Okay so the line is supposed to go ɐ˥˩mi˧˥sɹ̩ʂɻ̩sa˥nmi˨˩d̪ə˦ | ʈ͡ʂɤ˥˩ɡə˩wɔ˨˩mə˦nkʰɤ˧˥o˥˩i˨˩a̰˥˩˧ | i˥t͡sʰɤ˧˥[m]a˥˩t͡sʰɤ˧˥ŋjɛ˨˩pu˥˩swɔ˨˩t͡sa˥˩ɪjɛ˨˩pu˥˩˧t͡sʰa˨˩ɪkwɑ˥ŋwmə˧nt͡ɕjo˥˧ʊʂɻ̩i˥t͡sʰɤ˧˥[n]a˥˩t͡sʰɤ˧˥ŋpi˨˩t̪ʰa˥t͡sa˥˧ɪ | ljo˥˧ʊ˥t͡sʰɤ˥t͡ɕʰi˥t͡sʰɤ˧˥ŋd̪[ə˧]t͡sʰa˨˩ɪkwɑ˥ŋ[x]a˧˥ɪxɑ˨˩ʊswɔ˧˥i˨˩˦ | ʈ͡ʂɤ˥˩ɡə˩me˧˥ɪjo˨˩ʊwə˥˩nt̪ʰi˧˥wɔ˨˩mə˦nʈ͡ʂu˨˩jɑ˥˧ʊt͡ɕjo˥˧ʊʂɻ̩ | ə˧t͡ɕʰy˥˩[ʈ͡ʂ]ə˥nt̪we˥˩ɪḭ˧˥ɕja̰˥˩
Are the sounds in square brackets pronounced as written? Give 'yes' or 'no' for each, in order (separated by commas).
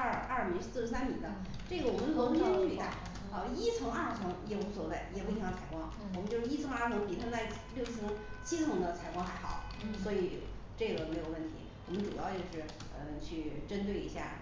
no, no, yes, yes, yes